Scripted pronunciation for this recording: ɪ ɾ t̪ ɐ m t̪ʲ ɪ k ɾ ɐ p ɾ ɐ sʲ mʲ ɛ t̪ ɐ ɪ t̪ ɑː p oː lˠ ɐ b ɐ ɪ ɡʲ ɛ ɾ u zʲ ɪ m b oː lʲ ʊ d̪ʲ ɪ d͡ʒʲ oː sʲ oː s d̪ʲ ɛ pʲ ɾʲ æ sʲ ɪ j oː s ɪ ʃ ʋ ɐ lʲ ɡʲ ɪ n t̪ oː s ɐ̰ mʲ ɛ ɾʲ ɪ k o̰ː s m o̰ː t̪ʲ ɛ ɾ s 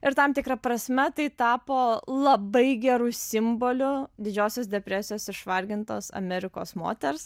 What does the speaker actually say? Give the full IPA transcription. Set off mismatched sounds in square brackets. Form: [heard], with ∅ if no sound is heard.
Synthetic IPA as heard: ɪ ɾ t̪ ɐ m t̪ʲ ɪ k ɾ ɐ p ɾ ɐ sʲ mʲ ɛ t̪ ɐ ɪ t̪ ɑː p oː lˠ ɐ b ɐ ɪ ɡʲ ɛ ɾ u [sʲ] ɪ m b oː lʲ ʊ d̪ʲ ɪ d͡ʒʲ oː sʲ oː s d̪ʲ ɛ pʲ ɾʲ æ sʲ ɪ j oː s ɪ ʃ ʋ ɐ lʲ ɡʲ ɪ n t̪ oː s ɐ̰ mʲ ɛ ɾʲ ɪ k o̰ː s m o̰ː t̪ʲ ɛ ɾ s